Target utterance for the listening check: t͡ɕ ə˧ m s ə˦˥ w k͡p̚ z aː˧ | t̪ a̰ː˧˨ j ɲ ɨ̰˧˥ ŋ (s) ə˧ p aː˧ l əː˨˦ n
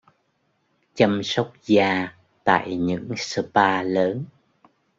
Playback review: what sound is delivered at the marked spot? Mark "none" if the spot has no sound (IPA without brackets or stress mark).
s